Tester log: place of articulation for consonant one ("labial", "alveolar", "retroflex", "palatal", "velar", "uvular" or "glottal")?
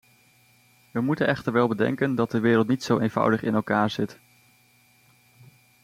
labial